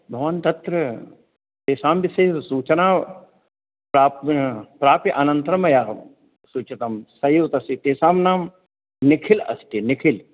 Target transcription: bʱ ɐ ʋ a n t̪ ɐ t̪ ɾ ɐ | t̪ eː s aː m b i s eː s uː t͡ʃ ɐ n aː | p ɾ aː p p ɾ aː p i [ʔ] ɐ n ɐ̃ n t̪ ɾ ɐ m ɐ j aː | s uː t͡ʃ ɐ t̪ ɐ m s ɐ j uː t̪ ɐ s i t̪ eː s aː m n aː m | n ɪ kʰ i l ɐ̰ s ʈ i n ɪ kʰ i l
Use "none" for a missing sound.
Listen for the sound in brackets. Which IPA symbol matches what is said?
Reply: ʔ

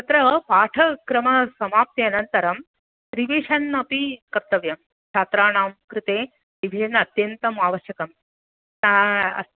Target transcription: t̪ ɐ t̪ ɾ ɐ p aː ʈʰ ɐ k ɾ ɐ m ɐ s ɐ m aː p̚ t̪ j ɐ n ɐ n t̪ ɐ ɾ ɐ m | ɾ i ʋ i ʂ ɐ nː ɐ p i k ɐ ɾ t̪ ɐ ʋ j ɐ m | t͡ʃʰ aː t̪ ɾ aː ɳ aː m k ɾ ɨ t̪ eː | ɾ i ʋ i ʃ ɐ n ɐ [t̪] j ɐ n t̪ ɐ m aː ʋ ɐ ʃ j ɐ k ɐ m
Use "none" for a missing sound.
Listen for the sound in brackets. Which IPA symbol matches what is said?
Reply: t̪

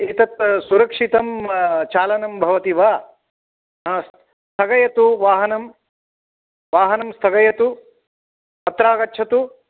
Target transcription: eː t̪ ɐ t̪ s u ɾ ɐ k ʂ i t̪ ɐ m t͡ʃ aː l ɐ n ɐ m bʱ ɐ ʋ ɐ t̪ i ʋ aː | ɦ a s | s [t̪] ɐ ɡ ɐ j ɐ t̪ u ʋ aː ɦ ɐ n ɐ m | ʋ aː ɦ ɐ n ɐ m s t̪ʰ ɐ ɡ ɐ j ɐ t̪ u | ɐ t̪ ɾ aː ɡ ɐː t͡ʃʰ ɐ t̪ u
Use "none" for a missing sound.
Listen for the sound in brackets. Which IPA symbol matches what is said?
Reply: t̪ʰ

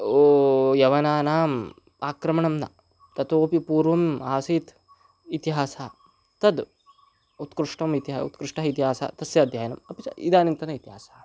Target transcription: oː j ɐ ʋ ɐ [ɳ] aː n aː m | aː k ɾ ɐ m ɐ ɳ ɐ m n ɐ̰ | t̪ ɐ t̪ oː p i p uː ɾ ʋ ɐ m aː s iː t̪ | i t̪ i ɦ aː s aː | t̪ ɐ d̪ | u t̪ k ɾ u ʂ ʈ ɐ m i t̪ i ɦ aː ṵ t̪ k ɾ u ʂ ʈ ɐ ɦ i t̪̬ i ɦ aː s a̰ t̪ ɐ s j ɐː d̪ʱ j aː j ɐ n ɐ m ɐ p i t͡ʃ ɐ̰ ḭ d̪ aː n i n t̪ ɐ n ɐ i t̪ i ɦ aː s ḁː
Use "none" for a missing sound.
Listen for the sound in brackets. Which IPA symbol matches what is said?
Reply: n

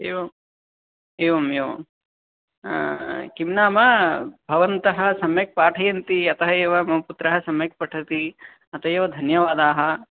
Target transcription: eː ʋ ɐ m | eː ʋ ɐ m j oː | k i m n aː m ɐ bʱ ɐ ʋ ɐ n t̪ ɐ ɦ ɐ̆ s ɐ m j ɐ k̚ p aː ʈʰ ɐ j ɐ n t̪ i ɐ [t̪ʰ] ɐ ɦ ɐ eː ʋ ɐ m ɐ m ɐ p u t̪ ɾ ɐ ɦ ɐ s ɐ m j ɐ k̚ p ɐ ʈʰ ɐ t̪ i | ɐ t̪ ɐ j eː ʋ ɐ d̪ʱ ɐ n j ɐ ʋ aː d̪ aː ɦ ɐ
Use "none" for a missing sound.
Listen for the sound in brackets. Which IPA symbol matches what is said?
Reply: t̪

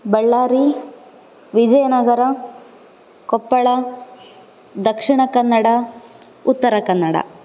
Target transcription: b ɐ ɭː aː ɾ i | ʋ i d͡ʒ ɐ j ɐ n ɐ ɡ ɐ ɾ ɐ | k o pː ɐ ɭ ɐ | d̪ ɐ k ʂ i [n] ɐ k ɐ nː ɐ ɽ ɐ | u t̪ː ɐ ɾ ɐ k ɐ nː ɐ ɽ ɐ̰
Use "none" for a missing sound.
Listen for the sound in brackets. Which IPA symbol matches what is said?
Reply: ɳ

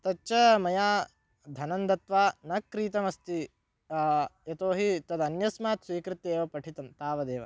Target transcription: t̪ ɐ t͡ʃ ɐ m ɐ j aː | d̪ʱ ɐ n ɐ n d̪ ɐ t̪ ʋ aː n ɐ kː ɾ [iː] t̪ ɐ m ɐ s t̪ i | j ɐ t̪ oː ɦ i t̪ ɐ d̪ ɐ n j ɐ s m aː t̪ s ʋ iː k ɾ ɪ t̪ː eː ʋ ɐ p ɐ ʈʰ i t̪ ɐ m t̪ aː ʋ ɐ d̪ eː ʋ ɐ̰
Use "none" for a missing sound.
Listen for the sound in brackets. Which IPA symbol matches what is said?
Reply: iː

